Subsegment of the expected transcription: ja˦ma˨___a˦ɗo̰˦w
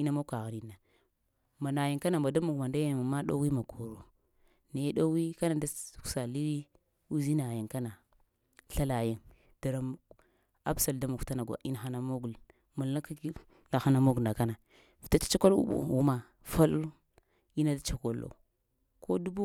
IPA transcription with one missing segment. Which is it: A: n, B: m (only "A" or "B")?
B